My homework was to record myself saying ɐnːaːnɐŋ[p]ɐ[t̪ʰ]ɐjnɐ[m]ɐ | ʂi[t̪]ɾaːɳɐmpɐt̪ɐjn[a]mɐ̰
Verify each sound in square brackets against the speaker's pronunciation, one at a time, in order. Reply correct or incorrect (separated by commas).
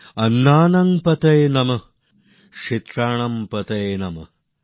correct, incorrect, correct, correct, incorrect